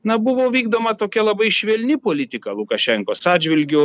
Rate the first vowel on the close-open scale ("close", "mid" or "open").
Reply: open